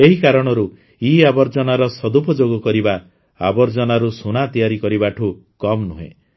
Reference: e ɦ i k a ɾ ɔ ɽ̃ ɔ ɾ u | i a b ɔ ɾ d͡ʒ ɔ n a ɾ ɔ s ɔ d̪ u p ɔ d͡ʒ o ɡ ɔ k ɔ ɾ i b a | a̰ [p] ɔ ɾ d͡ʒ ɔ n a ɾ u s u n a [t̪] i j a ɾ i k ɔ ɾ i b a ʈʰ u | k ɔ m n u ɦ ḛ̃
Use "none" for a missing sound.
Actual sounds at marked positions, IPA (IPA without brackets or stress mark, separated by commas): b, t̪